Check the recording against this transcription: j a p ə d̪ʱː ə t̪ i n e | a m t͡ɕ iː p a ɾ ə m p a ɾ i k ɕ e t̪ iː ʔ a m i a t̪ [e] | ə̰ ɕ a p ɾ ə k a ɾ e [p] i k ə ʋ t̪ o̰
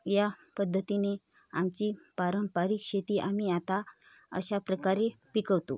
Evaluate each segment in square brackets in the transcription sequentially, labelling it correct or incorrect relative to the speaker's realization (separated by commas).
incorrect, correct